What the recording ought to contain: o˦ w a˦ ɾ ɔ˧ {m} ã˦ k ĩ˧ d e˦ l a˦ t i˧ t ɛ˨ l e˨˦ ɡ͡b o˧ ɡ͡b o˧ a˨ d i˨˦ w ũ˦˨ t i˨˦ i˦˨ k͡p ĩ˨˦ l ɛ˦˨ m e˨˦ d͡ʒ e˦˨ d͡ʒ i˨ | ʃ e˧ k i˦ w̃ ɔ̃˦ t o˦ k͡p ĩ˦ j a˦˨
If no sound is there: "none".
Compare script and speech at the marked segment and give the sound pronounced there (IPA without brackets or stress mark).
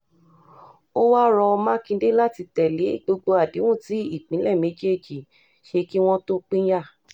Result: m